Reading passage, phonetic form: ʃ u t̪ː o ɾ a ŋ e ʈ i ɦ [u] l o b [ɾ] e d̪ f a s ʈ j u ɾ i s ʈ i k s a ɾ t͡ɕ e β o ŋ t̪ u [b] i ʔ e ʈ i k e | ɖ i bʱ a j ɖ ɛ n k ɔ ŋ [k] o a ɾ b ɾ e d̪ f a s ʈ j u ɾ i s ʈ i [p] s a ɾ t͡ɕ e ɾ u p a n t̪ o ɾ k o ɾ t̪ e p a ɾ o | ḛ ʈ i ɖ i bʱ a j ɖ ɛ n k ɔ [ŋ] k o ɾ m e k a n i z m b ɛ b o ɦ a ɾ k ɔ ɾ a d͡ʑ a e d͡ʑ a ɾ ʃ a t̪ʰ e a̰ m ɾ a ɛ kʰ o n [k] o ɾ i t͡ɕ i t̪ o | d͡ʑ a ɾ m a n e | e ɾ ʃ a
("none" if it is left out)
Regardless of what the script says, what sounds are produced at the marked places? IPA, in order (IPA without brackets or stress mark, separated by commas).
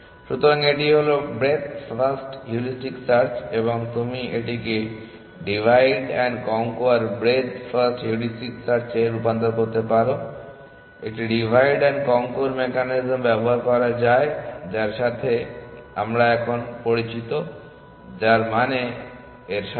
o, ɾ, m, k, k, ŋ, p